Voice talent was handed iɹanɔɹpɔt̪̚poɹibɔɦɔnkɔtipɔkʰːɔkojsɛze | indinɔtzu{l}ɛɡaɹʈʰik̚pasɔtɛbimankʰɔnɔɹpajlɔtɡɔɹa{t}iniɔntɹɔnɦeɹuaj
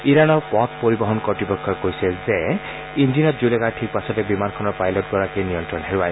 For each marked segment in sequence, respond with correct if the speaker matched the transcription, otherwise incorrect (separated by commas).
correct, incorrect